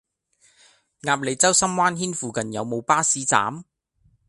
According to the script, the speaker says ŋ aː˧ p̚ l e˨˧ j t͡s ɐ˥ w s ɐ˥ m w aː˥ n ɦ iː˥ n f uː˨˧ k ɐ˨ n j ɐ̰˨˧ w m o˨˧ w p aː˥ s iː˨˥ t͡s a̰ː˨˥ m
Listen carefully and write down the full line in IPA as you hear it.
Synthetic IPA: ŋ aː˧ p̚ l e˨˧ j t͡s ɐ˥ w s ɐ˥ m w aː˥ n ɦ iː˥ n f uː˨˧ k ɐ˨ n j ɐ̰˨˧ w m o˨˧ w p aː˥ s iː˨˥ t͡s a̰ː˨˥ m